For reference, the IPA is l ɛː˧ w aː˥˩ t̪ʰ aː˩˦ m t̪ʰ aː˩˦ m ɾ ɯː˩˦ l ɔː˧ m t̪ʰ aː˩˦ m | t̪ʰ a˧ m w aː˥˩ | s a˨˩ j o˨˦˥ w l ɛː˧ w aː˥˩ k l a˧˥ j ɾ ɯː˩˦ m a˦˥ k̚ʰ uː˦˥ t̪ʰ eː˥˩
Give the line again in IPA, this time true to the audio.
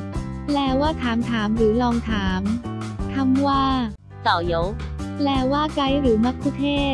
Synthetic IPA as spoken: l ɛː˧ w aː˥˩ t̪ʰ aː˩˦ m t̪ʰ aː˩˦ m ɾ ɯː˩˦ l ɔː˧ ŋ t̪ʰ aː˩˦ m | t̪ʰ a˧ m w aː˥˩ | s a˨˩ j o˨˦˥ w l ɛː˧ w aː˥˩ k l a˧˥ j ɾ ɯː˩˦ m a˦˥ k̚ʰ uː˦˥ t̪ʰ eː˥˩